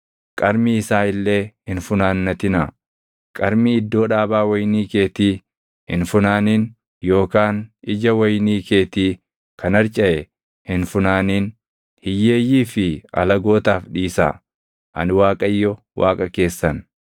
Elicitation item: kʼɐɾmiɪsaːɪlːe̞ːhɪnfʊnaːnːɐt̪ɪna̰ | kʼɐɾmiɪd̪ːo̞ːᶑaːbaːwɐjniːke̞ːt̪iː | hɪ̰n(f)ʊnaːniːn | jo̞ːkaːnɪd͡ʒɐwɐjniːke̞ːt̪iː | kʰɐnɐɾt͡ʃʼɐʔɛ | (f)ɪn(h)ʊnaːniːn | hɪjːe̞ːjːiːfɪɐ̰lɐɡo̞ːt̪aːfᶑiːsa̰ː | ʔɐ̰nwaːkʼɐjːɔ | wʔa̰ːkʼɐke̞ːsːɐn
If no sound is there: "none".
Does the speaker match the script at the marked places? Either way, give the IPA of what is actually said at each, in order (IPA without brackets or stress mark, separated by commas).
f, h, f